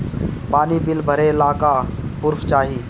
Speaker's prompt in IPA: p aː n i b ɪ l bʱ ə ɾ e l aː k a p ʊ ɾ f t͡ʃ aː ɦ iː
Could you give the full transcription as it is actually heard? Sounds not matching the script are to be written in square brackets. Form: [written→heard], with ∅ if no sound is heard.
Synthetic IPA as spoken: p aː n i b ɪ l bʱ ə ɾ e l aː k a p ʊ ɾ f t͡ʃ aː ɦ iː